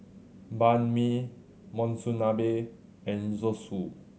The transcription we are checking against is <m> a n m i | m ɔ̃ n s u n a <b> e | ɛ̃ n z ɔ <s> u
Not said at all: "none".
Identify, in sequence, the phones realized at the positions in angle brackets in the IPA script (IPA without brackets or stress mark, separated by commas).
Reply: b, b, s